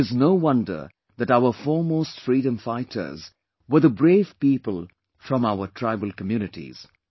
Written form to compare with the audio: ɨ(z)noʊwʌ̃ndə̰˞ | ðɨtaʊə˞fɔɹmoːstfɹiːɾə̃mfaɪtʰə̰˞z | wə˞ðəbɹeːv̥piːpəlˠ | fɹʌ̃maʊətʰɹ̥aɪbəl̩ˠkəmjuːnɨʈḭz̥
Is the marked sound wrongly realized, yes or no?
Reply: no